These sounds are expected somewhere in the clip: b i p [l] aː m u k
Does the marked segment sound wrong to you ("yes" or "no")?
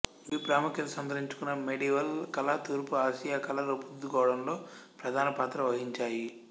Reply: yes